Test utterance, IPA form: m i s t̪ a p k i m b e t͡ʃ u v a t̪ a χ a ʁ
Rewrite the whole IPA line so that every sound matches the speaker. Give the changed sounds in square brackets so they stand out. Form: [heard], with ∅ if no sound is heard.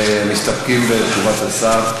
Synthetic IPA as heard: m i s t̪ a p k i m b e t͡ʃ u v a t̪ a [s] a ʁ